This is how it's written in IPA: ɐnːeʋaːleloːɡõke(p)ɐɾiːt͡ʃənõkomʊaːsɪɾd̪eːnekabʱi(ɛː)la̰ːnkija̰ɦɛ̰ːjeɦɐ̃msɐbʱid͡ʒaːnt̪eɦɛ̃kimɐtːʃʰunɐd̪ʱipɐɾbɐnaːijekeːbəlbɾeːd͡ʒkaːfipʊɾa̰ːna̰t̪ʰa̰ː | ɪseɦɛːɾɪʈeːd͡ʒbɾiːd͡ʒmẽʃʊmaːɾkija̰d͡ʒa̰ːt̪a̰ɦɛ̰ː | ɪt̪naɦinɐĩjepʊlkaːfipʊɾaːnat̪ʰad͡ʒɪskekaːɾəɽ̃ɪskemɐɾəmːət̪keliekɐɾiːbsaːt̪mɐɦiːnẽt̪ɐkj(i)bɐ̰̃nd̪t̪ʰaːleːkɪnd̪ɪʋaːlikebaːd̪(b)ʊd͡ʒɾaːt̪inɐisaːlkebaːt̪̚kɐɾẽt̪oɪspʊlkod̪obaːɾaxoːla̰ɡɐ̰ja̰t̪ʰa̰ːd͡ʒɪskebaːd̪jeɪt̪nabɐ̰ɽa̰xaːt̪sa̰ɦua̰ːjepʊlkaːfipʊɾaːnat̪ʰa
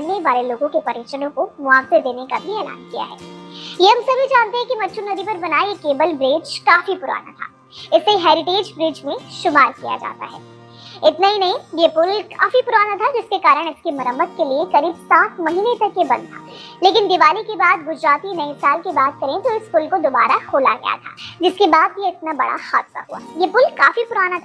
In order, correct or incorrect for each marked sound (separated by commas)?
correct, correct, incorrect, incorrect